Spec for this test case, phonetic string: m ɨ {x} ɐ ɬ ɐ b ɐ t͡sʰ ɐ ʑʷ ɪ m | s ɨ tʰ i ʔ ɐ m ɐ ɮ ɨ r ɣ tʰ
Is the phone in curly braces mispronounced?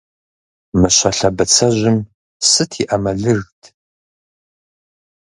yes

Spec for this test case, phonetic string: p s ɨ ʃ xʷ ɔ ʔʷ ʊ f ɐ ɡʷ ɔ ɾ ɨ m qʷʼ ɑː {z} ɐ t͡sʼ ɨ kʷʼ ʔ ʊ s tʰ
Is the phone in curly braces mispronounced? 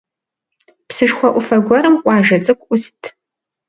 yes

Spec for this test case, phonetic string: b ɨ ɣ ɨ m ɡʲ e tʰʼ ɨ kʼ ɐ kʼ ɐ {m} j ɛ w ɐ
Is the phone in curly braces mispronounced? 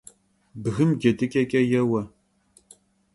yes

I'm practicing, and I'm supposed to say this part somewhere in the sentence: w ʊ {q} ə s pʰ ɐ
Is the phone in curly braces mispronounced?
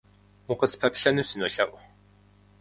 no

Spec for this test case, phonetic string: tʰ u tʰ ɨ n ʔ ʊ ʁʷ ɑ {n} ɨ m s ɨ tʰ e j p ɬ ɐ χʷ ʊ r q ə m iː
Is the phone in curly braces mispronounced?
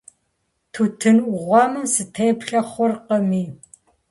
yes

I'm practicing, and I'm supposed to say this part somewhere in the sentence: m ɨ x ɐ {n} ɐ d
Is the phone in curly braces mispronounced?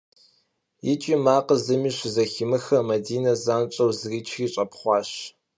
yes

